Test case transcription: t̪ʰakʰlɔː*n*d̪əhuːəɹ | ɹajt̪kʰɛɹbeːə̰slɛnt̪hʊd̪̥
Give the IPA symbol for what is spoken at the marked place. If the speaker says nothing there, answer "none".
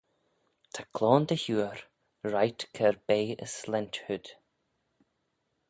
n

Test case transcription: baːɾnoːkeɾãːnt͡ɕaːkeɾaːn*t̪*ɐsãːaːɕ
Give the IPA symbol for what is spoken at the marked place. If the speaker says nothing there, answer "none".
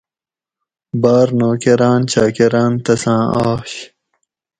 t̪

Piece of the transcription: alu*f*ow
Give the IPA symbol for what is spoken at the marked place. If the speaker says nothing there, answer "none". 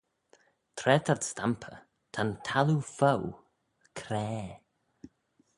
f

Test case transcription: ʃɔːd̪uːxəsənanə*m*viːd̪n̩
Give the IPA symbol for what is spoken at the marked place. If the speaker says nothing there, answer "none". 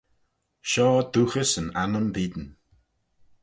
m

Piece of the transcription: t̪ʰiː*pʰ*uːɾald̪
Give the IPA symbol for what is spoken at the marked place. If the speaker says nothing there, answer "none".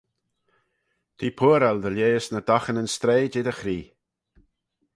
pʰ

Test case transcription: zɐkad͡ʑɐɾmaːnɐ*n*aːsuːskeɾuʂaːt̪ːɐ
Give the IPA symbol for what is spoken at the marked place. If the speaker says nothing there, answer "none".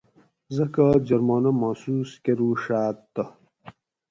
m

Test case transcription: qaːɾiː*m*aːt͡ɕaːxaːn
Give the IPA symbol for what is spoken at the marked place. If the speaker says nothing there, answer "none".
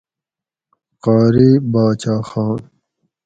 b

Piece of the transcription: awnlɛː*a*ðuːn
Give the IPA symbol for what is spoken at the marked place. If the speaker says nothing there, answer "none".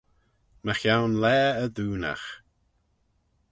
ə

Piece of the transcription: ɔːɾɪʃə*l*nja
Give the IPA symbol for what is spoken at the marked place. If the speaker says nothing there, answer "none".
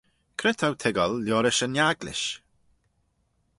none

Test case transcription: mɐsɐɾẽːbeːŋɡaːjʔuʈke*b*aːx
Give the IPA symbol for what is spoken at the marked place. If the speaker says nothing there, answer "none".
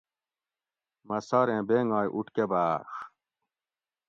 b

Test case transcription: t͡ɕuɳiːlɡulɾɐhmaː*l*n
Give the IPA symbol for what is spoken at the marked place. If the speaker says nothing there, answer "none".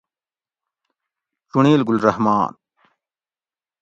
none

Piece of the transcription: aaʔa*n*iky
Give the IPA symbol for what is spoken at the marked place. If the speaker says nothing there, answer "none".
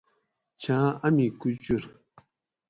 m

